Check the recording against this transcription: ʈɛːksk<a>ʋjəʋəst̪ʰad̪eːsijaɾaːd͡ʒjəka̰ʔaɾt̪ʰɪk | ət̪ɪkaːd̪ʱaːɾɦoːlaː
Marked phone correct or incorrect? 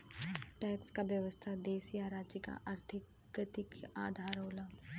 correct